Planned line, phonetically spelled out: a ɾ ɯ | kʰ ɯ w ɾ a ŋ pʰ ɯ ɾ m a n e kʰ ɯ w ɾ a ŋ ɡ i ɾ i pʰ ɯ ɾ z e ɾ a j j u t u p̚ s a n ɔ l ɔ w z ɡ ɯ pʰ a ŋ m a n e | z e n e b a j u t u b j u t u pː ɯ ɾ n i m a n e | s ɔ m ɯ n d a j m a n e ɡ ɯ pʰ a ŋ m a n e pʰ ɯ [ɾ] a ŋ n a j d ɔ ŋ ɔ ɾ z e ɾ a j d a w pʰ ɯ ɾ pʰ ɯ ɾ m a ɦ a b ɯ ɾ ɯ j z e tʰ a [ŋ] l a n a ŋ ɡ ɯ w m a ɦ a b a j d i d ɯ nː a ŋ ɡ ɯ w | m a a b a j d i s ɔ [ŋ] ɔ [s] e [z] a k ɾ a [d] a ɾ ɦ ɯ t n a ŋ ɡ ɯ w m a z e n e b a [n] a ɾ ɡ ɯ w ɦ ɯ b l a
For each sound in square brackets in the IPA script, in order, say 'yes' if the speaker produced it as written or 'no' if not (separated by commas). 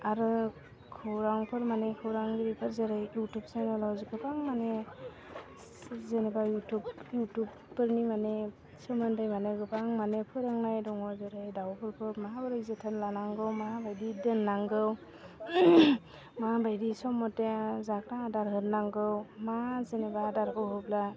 yes, no, no, no, yes, yes, no